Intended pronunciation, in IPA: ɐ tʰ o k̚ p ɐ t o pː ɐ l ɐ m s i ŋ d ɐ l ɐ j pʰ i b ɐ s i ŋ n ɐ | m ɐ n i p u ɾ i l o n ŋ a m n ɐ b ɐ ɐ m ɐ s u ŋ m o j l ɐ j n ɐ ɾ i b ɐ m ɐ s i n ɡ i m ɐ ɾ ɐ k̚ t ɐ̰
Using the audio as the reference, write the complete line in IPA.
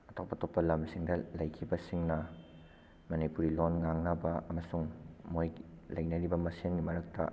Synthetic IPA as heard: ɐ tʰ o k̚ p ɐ t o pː ɐ l ɐ m s i ŋ d ɐ l ɐ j kʰ i b ɐ s i ŋ n ɐ | m ɐ n i p u ɾ i l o n ŋ a ŋ n ɐ b ɐ ɐ m ɐ s u ŋ m o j l ɐ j n ɐ ɾ i b ɐ m ɐ s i n ɡ i m ɐ ɾ ɐ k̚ t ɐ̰

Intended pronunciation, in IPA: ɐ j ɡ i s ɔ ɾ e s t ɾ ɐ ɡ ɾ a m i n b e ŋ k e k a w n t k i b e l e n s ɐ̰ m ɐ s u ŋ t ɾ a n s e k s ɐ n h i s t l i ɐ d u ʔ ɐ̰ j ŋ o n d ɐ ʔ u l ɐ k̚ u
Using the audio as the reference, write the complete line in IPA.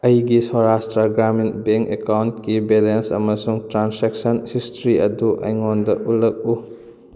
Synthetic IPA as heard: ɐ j ɡ i s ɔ ɾ a s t ɾ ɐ ɡ ɾ a m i n b e ŋ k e k a w n t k i b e l e n s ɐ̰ m ɐ s u ŋ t ɾ a n s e k s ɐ n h i s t ɾ i ɐ d u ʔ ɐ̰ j ŋ o n d ɐ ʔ u l ɐ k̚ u

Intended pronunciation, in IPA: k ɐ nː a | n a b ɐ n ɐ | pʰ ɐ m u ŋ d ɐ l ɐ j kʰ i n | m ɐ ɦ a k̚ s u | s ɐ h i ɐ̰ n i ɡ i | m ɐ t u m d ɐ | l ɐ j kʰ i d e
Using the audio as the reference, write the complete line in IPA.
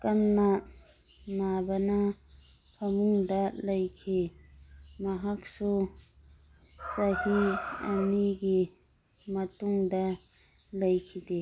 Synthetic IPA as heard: k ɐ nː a | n a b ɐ n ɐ | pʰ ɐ m u ŋ d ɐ l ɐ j kʰ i | m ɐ ɦ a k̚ s u | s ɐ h i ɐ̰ n i ɡ i | m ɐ t u ŋ d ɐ | l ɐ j kʰ i d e

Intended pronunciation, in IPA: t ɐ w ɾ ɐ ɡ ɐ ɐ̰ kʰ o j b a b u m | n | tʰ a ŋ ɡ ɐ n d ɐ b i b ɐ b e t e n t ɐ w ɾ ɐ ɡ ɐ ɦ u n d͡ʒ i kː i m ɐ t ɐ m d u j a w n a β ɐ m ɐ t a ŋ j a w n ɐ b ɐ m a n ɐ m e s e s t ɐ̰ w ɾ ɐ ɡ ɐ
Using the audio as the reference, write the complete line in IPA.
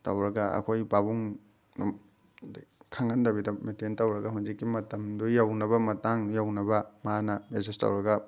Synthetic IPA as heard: t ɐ w ɾ ɐ ɡ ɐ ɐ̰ kʰ o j b a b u ŋ | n | kʰ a ŋ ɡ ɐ n d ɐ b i d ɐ m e t e n t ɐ w ɾ ɐ ɡ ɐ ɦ u n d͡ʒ i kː i m ɐ t ɐ m d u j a w n ɐ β ɐ m ɐ t a ŋ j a w n ɐ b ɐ m a n ɐ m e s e s t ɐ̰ w ɾ ɐ ɡ ɐ

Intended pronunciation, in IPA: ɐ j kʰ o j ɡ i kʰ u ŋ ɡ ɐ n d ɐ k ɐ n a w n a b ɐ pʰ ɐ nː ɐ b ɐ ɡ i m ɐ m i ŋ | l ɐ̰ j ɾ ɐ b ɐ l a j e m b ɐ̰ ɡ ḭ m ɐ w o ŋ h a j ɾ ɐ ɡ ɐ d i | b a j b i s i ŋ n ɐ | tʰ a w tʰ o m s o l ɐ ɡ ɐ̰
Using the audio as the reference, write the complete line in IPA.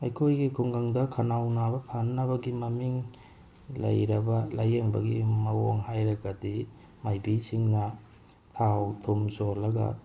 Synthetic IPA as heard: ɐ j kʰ o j ɡ i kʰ u ŋ ɡ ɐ ŋ d ɐ kʰ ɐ n a w n a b ɐ pʰ a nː ɐ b ɐ ɡ i m ɐ m i ŋ | l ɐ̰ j ɾ ɐ b ɐ l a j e ŋ b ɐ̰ ɡ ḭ m ɐ w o ŋ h a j ɾ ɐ ɡ ɐ d i | m a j b i s i ŋ n ɐ | tʰ a w tʰ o m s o l ɐ ɡ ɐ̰

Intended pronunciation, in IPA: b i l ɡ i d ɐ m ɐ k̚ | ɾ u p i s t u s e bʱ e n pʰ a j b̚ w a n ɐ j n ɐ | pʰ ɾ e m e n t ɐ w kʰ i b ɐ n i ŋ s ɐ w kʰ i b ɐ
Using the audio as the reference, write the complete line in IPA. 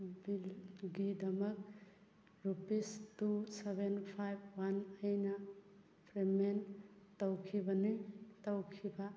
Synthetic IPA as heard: b i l ɡ i d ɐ m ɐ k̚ | ɾ u p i s t u s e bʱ e n pʰ a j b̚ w a n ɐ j n ɐ | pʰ ɾ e m e n t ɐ w kʰ i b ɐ n i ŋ t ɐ w kʰ i b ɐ

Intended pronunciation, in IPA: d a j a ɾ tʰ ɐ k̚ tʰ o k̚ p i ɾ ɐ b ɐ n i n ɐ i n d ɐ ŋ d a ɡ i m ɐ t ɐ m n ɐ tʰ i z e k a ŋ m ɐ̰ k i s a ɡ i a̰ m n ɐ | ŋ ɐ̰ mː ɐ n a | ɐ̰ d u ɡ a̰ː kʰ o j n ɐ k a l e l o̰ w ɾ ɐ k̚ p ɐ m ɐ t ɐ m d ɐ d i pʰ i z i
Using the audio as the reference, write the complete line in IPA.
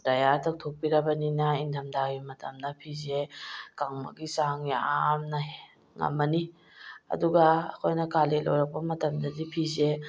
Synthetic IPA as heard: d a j a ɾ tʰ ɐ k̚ tʰ o k̚ p i ɾ ɐ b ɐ n i n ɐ i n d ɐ m d a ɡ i m ɐ t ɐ m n ɐ pʰ i z e k a ŋ m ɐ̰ ɡ i s a ŋ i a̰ m n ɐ | ŋ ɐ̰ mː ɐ n i | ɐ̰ d u ɡ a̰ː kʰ o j n ɐ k a l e l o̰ w ɾ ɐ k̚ p ɐ m ɐ t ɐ m d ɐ d i pʰ i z e

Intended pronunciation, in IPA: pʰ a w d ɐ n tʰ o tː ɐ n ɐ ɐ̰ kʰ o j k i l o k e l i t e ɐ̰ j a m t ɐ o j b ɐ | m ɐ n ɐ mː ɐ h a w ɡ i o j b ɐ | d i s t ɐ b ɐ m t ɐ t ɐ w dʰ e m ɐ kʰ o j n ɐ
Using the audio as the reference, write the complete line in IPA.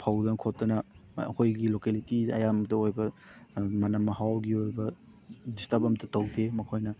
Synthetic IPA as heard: pʰ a w d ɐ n kʰ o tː ɐ n ɐ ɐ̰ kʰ o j ɡ i l o k e l i t i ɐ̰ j a m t ɐ o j b ɐ | m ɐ n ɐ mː ɐ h a w ɡ i o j b ɐ | d i s t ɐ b ɐ m t ɐ t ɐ w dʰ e m ɐ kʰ o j n ɐ

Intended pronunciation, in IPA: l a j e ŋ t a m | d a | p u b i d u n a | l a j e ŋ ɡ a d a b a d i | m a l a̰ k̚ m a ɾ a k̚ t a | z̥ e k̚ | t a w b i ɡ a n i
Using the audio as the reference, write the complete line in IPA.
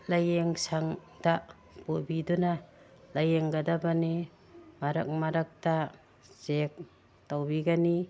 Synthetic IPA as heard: l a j e ŋ s a ŋ | d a | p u b i d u n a | l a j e ŋ ɡ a d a b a n i | m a ɾ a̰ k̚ m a ɾ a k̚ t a | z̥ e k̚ | t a w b i ɡ a n i

